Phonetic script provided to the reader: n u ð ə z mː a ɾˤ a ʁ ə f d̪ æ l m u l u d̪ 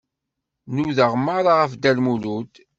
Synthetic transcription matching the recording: n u ð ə ʁ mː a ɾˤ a ʁ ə f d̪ æ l m u l u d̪